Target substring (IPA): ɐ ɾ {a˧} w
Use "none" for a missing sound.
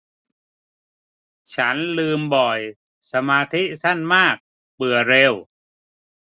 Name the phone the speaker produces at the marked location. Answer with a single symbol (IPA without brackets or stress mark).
e˧